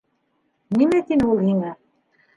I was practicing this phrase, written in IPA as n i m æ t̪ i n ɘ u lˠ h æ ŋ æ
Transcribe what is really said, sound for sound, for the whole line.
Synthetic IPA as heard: n i m æ t̪ i n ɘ u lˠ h i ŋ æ